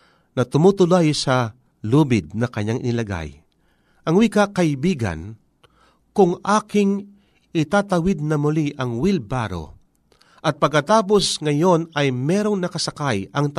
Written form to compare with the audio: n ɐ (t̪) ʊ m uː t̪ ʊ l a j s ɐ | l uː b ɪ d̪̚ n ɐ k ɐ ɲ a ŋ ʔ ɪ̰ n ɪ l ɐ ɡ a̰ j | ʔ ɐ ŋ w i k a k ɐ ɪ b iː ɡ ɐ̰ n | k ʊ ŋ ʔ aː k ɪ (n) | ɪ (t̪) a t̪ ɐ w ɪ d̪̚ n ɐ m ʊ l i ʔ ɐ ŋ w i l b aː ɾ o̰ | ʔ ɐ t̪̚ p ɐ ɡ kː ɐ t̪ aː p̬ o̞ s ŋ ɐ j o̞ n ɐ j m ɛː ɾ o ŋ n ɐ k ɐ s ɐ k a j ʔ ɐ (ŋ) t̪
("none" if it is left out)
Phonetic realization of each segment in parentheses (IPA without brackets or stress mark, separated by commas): t̪, ŋ, t̪, ŋ